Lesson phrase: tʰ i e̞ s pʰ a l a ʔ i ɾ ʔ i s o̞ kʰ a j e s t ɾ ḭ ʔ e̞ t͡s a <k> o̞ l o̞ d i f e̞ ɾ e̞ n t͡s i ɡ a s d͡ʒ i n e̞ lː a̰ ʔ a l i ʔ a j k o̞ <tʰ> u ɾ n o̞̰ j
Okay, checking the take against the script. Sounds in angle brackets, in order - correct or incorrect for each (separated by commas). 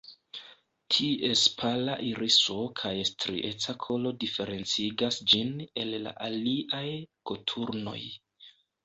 incorrect, correct